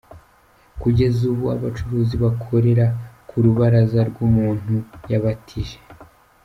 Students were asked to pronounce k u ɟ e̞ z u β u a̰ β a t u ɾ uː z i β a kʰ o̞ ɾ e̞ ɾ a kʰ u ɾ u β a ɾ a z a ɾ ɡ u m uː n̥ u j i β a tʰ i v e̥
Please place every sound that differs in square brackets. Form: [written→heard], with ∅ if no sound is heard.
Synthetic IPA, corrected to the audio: k u ɟ e̞ z u β u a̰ β a [t→t͡ʃ] u ɾ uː z i β a kʰ o̞ ɾ e̞ ɾ a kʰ u ɾ u β a ɾ a z a ɾ ɡ u m uː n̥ u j [i→a] β a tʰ i [v→ʒ] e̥